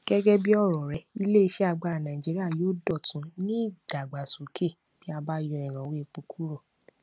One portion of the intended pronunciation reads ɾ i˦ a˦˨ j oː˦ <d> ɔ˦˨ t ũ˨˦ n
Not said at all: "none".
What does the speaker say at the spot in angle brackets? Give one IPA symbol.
d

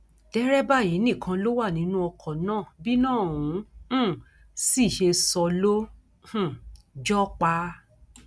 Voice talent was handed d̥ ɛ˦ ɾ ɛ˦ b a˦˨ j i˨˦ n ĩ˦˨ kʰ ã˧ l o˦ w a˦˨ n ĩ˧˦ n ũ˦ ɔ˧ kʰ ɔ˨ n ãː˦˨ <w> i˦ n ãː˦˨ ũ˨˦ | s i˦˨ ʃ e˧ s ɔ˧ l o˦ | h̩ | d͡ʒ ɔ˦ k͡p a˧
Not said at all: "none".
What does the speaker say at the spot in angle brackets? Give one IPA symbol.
b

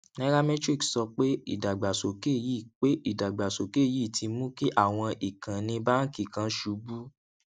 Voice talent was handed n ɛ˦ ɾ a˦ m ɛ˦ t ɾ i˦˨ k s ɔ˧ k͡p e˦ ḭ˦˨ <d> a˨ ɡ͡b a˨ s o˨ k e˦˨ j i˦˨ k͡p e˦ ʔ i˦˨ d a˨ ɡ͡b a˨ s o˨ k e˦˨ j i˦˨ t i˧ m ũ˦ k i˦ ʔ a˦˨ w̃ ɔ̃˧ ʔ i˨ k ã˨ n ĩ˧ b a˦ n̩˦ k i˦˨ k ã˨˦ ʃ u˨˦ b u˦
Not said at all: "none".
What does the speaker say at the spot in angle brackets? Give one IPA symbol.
d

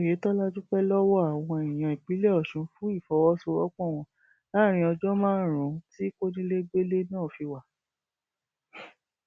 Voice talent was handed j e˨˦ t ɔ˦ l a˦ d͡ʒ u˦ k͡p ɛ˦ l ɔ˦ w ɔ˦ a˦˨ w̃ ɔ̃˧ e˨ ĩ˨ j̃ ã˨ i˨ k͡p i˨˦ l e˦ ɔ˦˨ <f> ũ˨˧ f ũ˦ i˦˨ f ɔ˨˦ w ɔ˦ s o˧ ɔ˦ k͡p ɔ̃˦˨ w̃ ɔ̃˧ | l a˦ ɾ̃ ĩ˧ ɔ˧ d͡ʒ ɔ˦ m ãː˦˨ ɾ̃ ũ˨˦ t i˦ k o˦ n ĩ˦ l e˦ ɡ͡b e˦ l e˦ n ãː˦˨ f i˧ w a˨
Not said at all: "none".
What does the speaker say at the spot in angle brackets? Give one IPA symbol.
ʃ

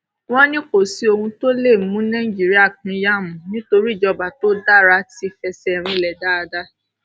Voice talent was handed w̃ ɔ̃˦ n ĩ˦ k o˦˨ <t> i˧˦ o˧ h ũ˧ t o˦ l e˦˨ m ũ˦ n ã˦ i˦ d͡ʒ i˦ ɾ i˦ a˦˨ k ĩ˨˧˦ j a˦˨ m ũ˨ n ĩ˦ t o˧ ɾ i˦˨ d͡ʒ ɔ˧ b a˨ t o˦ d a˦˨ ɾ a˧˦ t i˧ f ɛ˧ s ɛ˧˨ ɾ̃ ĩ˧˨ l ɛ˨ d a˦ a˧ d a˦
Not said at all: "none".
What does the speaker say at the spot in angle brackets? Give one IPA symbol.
s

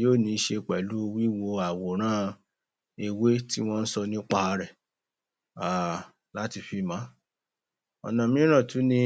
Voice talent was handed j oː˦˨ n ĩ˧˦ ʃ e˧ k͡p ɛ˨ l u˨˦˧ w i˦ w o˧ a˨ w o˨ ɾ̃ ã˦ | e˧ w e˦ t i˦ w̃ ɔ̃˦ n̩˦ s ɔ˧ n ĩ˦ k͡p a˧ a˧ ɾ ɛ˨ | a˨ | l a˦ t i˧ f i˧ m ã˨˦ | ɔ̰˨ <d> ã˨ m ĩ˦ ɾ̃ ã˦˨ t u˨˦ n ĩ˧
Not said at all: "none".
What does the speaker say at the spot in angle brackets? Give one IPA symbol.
n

